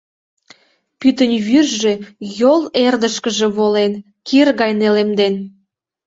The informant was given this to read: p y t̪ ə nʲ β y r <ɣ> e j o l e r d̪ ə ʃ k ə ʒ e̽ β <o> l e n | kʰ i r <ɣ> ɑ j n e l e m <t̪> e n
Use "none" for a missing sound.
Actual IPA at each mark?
ʒ, o, ɣ, d̪

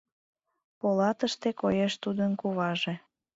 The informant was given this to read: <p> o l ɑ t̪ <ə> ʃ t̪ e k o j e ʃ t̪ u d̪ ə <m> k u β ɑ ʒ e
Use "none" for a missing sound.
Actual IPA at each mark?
p, ə, n

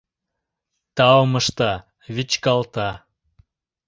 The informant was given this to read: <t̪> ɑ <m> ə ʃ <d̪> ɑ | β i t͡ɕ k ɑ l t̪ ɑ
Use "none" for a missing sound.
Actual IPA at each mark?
t̪, m, t̪

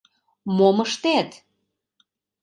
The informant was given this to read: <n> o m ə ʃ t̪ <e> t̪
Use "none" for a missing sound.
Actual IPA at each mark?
m, e

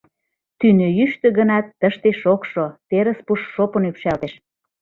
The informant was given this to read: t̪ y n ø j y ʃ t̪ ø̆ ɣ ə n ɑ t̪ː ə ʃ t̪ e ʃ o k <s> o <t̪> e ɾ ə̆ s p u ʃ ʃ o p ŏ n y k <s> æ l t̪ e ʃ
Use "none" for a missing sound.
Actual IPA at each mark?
ʃ, t̪, ʃ

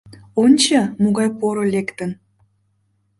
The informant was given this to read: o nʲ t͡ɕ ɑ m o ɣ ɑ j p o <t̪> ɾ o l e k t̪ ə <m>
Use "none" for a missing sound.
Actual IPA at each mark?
none, n

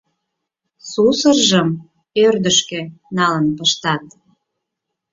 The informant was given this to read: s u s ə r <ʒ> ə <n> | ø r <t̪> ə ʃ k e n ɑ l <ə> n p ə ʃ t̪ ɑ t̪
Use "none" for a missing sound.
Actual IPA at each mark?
ʒ, m, d̪, ə

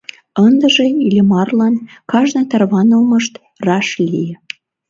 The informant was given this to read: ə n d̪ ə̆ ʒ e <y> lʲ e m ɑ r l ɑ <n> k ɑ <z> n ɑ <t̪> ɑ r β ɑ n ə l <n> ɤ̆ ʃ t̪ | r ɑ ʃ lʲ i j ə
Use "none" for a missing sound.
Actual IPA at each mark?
i, n, ʒ, t̪, m

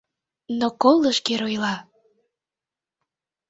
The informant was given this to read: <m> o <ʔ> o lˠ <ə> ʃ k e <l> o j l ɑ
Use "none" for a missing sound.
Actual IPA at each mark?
n, k, ə, ɾ

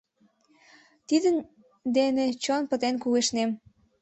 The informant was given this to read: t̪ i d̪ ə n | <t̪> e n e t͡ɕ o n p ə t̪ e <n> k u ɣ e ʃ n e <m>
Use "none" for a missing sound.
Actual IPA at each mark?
d̪, n, m

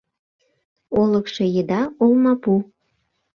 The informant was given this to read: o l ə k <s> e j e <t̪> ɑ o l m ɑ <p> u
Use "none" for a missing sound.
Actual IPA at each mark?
ʃ, d̪, p

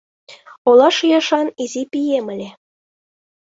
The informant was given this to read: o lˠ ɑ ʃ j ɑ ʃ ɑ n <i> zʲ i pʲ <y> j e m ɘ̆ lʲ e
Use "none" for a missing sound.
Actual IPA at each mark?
i, i

